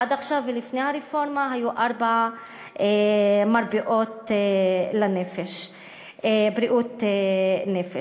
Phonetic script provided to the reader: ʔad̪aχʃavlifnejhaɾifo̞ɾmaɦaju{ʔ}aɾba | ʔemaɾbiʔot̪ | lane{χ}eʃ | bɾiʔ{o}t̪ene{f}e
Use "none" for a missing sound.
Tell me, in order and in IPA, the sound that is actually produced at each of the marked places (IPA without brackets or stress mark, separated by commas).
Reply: ʔ, f, u, f